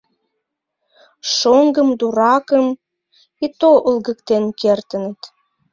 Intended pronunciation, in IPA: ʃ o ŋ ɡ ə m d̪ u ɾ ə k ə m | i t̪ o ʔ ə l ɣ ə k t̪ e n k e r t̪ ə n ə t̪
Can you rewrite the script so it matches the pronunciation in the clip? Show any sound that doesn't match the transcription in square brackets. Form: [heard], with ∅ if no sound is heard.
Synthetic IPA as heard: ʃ o ŋ ɡ ə m d̪ u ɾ [ɑ] k ə m | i t̪ o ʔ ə l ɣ ə k t̪ e n k e r t̪ ə n ə t̪

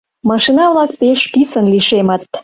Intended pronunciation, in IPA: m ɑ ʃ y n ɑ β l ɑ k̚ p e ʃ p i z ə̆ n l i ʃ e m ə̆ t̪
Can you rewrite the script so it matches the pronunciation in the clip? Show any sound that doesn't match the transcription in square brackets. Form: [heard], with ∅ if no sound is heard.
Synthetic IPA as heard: m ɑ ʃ [i] n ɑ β l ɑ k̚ p e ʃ p i [s] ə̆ n l i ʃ e m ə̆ t̪

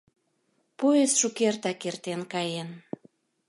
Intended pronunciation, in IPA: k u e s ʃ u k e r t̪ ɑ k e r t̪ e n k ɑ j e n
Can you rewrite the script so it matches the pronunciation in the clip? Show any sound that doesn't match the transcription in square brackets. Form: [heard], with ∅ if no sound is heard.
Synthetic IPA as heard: [p] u e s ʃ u k e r t̪ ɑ k e r t̪ e n k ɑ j e n

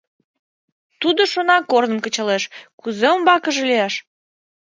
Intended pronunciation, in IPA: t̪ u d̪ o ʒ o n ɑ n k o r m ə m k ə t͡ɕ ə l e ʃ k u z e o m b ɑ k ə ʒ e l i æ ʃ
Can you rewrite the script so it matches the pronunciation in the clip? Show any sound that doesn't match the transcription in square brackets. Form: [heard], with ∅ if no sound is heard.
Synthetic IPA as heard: t̪ u d̪ o [ʃ] o n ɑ [∅] k o r [n] ə m k ə t͡ɕ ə l e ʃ k u z e o m b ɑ k ə ʒ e l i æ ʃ

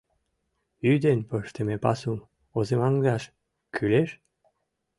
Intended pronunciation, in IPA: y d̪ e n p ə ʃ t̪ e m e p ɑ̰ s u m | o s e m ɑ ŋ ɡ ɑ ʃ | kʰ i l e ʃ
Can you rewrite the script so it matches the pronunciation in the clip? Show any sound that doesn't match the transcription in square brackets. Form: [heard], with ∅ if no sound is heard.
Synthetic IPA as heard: y d̪ e n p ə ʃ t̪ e m e p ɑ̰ s u m | o [z] e m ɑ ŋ ɡ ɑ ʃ | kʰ [y] l e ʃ

